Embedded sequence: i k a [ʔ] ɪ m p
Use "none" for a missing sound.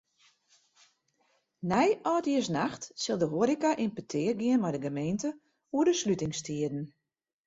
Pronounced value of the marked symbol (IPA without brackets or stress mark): ʔ